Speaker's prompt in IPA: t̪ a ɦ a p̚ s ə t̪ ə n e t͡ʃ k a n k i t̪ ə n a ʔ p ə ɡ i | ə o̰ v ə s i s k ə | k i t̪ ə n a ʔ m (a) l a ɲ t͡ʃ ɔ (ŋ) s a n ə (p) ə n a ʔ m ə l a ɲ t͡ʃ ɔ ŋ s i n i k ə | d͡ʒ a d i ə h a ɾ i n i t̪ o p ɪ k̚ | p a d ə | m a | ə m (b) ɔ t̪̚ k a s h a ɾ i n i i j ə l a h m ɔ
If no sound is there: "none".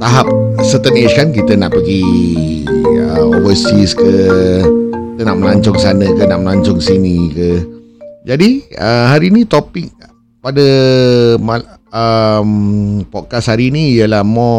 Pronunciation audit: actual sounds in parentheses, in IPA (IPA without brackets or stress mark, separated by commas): ə, ŋ, k, p